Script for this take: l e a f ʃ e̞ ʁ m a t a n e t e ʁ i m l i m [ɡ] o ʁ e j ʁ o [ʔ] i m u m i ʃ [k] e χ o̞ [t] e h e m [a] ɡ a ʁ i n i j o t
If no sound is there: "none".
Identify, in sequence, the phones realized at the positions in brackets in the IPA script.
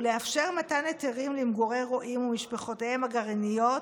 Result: ɡ, ʔ, p, t, a

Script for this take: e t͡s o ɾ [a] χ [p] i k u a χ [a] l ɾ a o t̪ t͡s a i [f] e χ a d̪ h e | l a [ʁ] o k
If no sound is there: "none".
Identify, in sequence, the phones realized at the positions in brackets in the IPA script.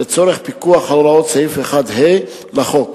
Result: e, p, a, f, χ

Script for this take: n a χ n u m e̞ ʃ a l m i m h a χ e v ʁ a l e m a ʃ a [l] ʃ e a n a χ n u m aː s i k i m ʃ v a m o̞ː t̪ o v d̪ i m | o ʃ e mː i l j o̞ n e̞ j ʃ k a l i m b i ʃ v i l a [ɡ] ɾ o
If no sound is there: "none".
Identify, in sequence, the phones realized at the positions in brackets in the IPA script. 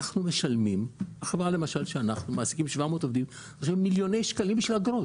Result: l, ɡ

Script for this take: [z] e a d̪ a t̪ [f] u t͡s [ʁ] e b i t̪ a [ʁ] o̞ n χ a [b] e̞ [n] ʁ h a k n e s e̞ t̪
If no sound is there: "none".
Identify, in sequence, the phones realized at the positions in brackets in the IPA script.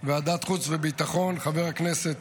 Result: v, χ, v, χ, v, none

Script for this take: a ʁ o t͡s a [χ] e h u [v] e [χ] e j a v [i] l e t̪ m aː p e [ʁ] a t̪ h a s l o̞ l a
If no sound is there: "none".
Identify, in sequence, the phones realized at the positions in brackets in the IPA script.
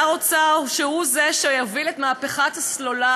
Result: ʃ, z, ʃ, i, χ

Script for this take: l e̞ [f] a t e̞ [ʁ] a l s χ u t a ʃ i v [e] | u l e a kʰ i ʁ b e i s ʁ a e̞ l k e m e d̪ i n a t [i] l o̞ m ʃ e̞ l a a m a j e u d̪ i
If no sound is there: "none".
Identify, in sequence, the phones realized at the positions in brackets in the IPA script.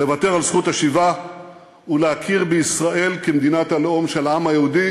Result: v, ʁ, a, a

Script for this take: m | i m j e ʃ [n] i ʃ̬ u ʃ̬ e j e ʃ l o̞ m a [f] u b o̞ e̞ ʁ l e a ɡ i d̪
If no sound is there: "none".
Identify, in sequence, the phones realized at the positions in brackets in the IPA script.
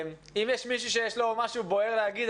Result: m, ʃ

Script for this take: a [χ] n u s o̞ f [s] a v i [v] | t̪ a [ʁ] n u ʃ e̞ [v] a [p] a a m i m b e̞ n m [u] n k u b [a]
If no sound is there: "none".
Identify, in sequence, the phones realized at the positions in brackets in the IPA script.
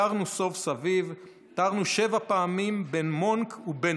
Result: ʁ, s, v, ʁ, v, p, o, e

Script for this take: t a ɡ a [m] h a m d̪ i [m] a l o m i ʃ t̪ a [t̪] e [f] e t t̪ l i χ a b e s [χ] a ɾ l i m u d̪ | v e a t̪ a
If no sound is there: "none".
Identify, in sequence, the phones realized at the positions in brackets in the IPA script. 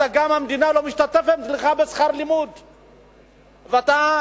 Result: m, n, t̪, f, χ

